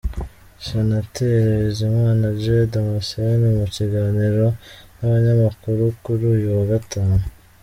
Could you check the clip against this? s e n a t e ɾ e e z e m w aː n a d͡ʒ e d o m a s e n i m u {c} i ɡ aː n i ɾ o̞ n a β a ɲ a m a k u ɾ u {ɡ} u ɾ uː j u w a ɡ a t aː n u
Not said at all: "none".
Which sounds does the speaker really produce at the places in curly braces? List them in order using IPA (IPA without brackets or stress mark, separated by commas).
c, k